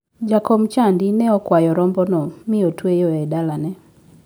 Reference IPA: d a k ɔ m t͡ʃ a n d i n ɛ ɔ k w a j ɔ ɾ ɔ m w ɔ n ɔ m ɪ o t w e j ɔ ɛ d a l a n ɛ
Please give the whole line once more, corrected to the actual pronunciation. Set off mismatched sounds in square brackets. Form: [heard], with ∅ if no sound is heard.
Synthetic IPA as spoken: [d͡ʒ] a k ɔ m t͡ʃ a n d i n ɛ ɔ k w a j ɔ ɾ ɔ m [b] ɔ n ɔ m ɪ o t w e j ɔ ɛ d a l a n ɛ